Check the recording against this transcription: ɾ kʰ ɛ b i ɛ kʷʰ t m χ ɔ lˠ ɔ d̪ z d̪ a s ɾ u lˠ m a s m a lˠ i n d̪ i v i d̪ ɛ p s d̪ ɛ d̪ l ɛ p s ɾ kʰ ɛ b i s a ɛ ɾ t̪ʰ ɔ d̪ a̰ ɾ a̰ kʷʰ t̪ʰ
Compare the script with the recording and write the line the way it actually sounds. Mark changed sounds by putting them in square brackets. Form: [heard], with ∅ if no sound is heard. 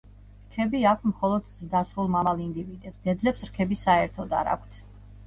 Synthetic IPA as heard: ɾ kʰ ɛ b i [a] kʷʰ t m χ ɔ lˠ ɔ d̪ z d̪ a s ɾ u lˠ m a [∅] m a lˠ i n d̪ i v i d̪ ɛ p s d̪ ɛ d̪ l ɛ p s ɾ kʰ ɛ b i s a ɛ ɾ t̪ʰ ɔ d̪ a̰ ɾ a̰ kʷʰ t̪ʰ